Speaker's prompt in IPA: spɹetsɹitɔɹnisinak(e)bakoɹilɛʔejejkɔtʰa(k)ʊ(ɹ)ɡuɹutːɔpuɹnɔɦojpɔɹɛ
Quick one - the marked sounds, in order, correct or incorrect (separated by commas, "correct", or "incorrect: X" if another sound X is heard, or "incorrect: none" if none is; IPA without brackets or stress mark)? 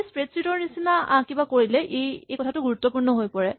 incorrect: i, incorrect: t, incorrect: none